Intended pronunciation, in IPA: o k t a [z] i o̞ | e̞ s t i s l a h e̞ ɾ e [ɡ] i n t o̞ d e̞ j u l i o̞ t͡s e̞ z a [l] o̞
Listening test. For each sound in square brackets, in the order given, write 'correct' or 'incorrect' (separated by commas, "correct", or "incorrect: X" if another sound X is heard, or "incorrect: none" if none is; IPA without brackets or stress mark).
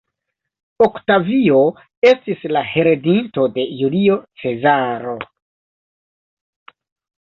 incorrect: v, incorrect: d, incorrect: ɾ